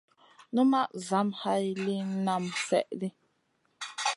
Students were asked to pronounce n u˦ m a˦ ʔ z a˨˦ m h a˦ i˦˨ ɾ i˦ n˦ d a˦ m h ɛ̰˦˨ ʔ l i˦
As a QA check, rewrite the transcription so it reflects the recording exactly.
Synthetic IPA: n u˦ m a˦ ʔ z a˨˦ m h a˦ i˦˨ l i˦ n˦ n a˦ m s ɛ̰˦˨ ʔ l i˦